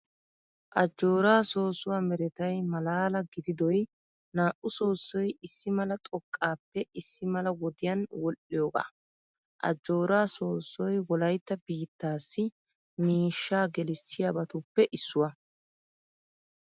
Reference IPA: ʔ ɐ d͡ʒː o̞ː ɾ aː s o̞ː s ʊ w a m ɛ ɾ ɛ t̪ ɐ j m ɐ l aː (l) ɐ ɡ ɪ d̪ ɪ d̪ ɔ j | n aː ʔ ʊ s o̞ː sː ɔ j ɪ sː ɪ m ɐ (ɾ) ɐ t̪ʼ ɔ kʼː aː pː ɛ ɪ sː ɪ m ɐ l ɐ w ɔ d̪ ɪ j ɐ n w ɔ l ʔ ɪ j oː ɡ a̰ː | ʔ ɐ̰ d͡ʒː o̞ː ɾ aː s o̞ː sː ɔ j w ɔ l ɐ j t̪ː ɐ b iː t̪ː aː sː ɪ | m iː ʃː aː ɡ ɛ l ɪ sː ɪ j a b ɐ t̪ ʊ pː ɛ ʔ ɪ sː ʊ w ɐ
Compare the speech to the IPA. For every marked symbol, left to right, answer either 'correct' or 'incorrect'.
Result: correct, incorrect

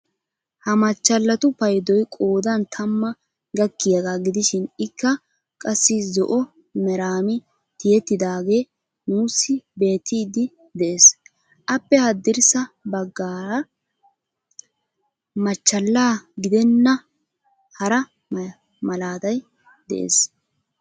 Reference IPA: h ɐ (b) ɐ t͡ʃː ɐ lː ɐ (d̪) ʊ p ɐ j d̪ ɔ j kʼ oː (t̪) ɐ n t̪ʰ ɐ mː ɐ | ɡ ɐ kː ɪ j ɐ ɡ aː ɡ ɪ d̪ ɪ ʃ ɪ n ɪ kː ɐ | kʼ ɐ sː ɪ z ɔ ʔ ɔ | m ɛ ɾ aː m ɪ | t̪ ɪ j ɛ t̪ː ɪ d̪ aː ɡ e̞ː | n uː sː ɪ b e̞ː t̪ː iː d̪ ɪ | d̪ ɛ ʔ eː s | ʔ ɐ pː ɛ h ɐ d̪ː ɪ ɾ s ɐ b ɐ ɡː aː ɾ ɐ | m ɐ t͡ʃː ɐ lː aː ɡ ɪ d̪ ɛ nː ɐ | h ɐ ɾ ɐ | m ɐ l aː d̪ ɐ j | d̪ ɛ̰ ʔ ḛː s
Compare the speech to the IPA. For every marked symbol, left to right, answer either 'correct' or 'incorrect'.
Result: incorrect, incorrect, incorrect

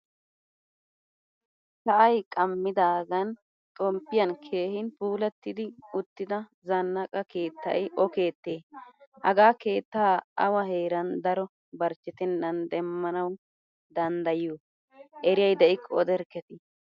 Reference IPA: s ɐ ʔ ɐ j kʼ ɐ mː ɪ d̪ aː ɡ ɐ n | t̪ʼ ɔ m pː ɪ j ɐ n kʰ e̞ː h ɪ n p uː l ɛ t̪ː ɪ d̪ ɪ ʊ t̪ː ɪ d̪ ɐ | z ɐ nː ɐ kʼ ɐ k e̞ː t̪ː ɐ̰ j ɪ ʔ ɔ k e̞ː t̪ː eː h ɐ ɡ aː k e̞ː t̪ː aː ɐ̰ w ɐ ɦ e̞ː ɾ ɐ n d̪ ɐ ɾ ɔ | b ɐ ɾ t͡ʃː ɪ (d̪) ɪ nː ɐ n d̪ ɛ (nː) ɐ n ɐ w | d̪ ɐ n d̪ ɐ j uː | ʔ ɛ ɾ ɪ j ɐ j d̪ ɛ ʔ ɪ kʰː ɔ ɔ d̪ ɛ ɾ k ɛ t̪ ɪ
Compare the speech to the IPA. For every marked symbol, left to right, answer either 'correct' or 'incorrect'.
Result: incorrect, incorrect

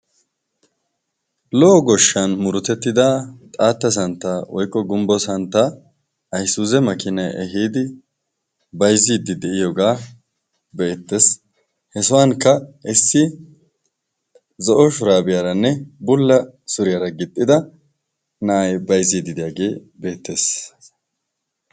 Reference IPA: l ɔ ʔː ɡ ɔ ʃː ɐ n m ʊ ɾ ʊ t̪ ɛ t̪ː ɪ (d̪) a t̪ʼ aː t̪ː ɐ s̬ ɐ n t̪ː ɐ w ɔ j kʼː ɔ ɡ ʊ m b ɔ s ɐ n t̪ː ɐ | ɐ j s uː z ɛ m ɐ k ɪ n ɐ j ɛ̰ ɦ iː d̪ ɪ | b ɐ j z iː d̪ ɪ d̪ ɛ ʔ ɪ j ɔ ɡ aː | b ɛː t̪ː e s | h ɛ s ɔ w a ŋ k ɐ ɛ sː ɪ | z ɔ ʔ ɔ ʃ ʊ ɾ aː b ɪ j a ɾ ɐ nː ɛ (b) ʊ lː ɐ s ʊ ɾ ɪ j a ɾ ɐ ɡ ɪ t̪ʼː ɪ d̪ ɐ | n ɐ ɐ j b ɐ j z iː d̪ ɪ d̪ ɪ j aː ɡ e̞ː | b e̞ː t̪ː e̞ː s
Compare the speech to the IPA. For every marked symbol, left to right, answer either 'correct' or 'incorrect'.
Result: correct, correct

